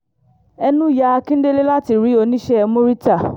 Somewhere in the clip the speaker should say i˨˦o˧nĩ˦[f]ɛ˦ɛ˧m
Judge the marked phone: incorrect: ʃ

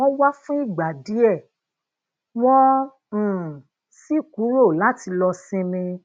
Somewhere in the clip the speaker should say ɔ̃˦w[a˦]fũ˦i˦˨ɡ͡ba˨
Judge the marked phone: correct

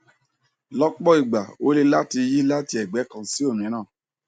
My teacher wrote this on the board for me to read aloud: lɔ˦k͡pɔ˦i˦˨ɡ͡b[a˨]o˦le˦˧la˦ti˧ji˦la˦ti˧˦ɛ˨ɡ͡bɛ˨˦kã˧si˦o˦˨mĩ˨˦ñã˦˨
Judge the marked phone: correct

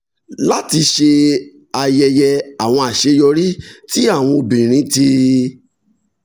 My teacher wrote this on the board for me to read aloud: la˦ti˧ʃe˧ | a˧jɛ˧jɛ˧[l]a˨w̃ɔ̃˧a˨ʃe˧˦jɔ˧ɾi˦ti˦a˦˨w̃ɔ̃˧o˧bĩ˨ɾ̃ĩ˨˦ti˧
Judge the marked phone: incorrect: none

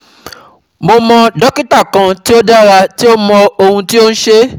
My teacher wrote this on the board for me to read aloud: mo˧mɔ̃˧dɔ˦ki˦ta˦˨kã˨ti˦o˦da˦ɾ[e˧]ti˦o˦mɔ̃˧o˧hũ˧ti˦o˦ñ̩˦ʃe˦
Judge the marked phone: incorrect: a˧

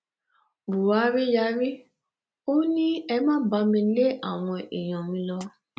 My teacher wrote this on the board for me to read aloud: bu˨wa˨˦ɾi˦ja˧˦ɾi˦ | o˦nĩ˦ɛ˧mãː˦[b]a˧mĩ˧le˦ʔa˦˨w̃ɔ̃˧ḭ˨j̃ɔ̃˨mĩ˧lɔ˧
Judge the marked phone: correct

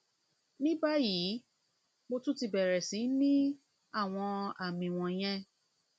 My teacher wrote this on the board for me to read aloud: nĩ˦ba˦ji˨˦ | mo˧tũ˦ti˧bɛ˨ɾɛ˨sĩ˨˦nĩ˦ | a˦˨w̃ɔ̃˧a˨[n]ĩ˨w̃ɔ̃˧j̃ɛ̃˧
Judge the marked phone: incorrect: m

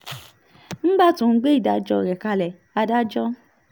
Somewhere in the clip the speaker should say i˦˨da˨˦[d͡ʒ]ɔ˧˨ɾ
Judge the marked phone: correct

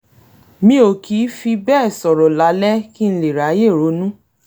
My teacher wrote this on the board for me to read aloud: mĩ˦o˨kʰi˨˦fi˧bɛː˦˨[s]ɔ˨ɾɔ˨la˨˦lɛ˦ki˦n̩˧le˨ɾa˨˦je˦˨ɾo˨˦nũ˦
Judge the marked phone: correct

